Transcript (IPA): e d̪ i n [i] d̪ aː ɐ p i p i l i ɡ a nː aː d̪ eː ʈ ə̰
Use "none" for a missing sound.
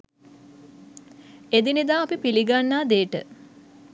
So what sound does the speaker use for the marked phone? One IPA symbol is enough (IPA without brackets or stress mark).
i